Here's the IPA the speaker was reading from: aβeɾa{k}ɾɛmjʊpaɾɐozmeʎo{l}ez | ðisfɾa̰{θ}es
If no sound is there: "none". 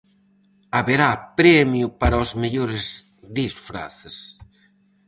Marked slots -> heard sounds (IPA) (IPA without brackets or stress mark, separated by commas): p, ɾ, θ